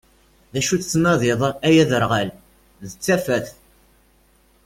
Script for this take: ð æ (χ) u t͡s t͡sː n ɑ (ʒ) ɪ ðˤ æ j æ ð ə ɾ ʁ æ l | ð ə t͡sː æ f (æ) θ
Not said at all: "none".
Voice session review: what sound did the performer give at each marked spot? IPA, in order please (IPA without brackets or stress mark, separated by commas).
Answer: ʃ, ð, æ